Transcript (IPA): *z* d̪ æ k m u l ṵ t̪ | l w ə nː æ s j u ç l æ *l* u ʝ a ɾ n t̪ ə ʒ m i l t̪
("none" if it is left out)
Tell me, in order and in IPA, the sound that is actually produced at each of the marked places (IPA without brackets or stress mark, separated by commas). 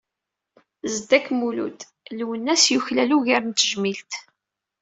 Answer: z, l